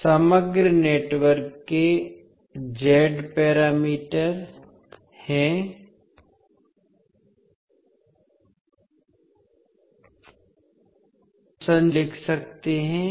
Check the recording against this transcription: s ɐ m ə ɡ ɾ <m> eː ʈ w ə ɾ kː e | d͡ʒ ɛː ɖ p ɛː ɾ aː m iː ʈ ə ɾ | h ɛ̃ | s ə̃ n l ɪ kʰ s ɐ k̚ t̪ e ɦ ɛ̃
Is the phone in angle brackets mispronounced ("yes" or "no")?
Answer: yes